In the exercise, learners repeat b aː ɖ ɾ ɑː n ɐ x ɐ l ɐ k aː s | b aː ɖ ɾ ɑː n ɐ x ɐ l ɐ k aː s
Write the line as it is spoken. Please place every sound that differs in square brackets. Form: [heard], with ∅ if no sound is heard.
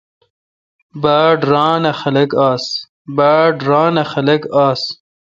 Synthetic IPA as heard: b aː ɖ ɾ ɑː n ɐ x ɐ l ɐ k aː s | b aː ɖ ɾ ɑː n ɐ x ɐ l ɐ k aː s